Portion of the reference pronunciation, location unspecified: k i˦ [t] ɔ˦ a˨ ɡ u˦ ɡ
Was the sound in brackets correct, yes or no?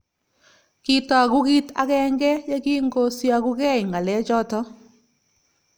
yes